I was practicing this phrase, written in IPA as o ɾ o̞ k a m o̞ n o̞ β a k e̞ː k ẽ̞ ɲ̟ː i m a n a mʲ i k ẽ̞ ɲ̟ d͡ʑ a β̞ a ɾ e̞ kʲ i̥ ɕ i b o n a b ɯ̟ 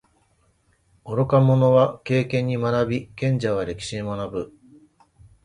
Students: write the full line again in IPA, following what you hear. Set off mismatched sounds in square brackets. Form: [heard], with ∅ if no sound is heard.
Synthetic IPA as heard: o ɾ o̞ k a m o̞ n o̞ β a k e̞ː k ẽ̞ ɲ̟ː i m a n a [bʲ] i k ẽ̞ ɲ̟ d͡ʑ a β̞ a ɾ e̞ kʲ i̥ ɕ i [m] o n a b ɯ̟

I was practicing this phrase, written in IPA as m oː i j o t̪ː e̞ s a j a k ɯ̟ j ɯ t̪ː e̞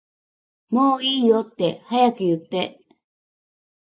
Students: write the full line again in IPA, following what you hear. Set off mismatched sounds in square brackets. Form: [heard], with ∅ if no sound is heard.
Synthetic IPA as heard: m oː [iː] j o t̪ː e̞ [h] a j a k ɯ̟ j ɯ t̪ː e̞

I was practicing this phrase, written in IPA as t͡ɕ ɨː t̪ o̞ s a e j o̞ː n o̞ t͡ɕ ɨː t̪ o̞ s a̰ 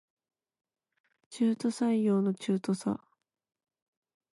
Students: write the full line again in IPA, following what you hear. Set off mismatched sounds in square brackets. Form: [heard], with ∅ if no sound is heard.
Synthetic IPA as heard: t͡ɕ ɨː t̪ o̞ s a [i] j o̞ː n o̞ t͡ɕ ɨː t̪ o̞ s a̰

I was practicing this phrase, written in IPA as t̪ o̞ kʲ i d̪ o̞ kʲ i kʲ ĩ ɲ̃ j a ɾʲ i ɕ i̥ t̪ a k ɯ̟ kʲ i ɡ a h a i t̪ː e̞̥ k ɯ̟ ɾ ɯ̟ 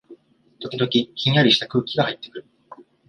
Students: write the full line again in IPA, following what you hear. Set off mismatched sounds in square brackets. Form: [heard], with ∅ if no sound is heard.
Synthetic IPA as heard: t̪ o̞ kʲ i d̪ o̞ kʲ i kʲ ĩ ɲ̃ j a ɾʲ i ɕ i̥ t̪ a k [ɯ̟ː] kʲ i ɡ a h a i t̪ː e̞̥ k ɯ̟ ɾ ɯ̟

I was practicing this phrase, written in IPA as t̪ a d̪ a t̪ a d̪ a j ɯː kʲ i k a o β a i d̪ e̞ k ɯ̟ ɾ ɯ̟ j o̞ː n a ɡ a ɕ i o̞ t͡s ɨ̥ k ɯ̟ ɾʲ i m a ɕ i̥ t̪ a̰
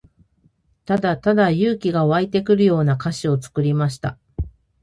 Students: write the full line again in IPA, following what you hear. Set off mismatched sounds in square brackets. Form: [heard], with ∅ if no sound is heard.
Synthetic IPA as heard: t̪ a d̪ a t̪ a d̪ a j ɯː kʲ i [ɡ] a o β a i [t̪] e̞ k ɯ̟ ɾ ɯ̟ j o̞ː n a [k] a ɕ i o̞ t͡s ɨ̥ k ɯ̟ ɾʲ i m a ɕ i̥ t̪ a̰

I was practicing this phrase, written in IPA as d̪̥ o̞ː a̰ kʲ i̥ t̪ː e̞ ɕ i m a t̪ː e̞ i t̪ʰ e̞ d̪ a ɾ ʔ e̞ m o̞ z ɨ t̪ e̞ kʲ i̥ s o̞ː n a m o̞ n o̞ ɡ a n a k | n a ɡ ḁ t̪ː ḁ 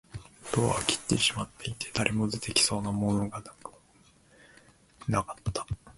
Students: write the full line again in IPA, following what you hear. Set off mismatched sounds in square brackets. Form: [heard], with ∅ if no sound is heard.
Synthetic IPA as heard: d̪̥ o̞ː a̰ kʲ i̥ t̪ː e̞ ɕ i m a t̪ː e̞ i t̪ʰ e̞ d̪ a ɾ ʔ e̞ m o̞ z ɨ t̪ e̞ kʲ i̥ s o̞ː n a m o̞ n o̞ ɡ a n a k | n a [k] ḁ t̪ː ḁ

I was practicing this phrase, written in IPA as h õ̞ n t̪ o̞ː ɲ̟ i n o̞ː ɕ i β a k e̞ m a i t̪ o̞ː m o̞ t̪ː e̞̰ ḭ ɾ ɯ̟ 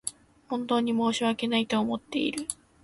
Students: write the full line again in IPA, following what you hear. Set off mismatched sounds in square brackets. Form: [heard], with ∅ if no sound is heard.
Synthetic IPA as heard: h õ̞ n t̪ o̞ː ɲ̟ i [m] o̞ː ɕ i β a k e̞ [n] a i t̪ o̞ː m o̞ t̪ː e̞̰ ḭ ɾ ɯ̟

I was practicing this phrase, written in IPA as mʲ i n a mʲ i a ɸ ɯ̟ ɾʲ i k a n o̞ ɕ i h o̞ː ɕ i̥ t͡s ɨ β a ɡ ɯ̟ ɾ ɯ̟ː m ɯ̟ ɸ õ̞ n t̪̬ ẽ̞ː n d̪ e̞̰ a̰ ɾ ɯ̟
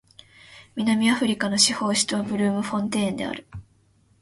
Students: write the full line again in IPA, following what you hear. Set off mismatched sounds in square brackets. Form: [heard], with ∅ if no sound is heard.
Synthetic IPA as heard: mʲ i n a mʲ i a ɸ ɯ̟ ɾʲ i k a n o̞ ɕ i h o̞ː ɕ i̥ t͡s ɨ β a [b] ɯ̟ ɾ ɯ̟ː m ɯ̟ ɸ õ̞ n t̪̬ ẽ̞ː n d̪ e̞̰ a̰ ɾ ɯ̟

